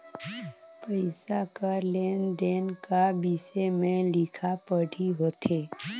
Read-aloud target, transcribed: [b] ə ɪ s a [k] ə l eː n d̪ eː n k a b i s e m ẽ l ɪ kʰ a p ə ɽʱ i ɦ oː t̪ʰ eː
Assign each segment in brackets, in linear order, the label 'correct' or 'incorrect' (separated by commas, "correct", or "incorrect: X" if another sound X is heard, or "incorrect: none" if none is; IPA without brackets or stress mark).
incorrect: p, correct